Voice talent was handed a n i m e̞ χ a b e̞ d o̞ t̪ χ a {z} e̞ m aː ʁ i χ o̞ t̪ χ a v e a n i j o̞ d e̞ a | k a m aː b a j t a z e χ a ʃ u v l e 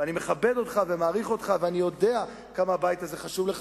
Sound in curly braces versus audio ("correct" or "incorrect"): incorrect